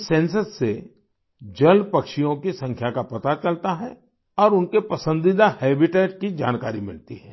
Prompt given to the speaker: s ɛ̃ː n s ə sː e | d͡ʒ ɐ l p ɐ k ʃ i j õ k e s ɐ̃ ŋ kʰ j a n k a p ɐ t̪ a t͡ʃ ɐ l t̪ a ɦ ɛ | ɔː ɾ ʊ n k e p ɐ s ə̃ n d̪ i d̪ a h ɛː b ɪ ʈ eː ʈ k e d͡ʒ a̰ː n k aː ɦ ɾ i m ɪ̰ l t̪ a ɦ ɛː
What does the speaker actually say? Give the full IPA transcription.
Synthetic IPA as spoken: s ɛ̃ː n s ə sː e | d͡ʒ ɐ l p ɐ k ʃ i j õ k i s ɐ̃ ŋ kʰ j a k a p ɐ t̪ a t͡ʃ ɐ l t̪ a ɦ ɛ | ɔː ɾ ʊ n k e p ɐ s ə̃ n d̪ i d̪ a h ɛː b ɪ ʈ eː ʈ k i d͡ʒ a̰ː n k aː ɾ i m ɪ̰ l t̪ i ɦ ɛː

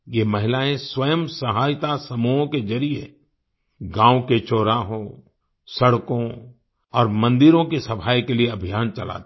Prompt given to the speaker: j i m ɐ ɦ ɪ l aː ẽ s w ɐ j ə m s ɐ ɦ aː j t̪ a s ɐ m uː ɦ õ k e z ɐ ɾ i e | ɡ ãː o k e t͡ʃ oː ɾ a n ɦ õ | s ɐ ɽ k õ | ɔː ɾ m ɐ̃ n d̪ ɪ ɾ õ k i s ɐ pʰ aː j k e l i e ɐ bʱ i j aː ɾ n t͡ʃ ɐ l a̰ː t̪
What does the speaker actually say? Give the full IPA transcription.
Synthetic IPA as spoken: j e m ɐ ɦ ɪ l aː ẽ s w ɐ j ə m s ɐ ɦ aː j t̪ a s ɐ m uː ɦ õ k e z ɐ ɾ i e | ɡ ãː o k e t͡ʃ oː ɾ a ɦ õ | s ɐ ɽ k õ | ɔː ɾ m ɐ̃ n d̪ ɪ ɾ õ k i s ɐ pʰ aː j k e l i e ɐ bʱ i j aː n t͡ʃ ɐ l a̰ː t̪

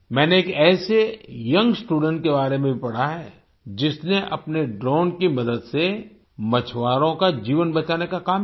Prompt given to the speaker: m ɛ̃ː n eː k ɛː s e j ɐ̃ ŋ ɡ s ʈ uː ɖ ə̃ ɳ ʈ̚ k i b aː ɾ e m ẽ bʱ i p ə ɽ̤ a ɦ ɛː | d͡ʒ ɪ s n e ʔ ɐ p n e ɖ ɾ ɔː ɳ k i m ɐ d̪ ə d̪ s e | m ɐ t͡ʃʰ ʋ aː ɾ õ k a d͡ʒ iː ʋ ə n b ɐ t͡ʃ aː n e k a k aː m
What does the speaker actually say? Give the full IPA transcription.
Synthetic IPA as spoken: m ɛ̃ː n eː k ɛː s e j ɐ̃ ŋ ɡ s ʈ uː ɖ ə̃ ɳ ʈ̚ k e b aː ɾ e m ẽ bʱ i p ɐ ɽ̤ a ɦ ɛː | d͡ʒ ɪ s n e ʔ ɐ p n e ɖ ɾ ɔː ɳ k i m ɐ d̪ ə d̪ s e | m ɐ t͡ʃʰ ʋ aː ɾ õ k a d͡ʒ iː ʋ ə n b ɐ t͡ʃ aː n e k a k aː m

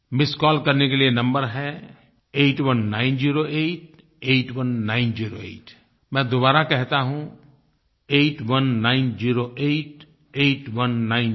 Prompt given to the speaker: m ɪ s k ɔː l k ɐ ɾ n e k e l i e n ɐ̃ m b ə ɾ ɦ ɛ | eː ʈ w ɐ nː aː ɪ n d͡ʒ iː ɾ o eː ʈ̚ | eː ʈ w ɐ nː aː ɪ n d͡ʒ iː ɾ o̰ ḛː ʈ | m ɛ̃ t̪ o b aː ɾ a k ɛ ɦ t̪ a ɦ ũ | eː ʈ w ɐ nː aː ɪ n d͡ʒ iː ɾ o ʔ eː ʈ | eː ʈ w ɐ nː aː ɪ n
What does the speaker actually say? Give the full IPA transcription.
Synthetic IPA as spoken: m ɪ s k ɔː l k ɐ ɾ n e k e l i e n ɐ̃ m b ə ɾ ɦ ɛ | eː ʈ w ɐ nː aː ɪ n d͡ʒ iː ɾ o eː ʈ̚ | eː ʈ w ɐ nː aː ɪ n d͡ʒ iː ɾ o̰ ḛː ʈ | m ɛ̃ d̪ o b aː ɾ a k ɛ ɦ t̪ a ɦ ũ | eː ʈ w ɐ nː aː ɪ n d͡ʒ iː ɾ o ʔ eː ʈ | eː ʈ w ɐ nː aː ɪ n

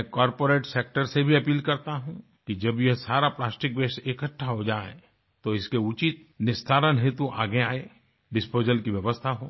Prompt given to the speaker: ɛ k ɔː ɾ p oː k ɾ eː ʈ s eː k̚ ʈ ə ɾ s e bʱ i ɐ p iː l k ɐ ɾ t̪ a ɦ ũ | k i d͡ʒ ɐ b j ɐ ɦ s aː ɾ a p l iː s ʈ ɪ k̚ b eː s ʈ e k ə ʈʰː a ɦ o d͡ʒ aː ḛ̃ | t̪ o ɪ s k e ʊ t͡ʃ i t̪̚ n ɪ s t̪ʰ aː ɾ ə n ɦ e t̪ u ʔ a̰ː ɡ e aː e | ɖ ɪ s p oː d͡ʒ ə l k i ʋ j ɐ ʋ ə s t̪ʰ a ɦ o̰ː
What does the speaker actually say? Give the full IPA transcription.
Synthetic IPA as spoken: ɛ k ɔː ɾ p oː ɾ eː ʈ s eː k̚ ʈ ə ɾ s e bʱ i ɐ p iː l k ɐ ɾ t̪ a ɦ ũ | k i d͡ʒ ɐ b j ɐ ɦ s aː ɾ a p l aː s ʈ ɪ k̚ b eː s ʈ e k ə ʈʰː a ɦ o d͡ʒ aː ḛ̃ | t̪ o ɪ s k e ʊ t͡ʃ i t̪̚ n ɪ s t̪ʰ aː ɾ ə n ɦ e t̪ u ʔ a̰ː ɡ e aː e | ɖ ɪ s p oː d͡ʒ ə l k i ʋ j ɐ ʋ ə s t̪ʰ a ɦ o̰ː

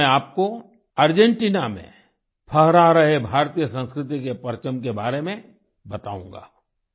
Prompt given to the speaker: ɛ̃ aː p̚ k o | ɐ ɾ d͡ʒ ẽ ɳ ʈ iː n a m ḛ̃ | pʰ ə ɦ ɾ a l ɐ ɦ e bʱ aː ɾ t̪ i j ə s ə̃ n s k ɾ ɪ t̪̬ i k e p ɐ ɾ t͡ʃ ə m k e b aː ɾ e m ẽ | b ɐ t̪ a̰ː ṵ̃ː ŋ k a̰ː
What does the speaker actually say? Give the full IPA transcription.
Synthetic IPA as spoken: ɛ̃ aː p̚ k o | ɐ ɾ d͡ʒ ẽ ɳ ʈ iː n a m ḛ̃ | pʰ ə ɦ ɾ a ɾ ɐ ɦ e bʱ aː ɾ t̪ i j ə s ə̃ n s k ɾ ɪ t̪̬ i k e p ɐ ɾ t͡ʃ ə m k e b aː ɾ e m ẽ | b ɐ t̪ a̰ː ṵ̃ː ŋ ɡ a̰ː

